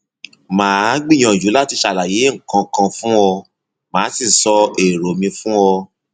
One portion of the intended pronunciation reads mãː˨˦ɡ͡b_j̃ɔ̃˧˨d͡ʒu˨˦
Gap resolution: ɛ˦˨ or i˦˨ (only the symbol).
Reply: i˦˨